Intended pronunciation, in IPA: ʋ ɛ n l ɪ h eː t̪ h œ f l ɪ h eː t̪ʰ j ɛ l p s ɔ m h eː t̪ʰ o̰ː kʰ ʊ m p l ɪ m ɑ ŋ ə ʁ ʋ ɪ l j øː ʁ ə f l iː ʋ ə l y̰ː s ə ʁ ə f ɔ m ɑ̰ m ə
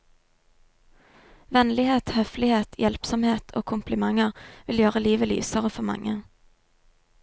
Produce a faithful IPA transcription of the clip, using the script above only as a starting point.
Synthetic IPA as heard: ʋ ɛ n l ɪ h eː t̪ h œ f l ɪ h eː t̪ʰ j ɛ l p s ɔ m h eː t̪ʰ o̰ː kʰ ʊ m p l ɪ m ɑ ŋ ə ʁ ʋ ɪ l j øː ʁ ə l iː ʋ ə l y̰ː s ə ʁ ə f ɔ m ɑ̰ ŋ ə